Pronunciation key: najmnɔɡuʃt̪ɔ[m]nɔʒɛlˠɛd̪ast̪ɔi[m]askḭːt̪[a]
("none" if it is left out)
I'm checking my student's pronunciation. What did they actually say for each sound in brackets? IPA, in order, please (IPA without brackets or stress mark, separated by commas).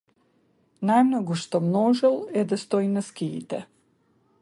m, n, ɛ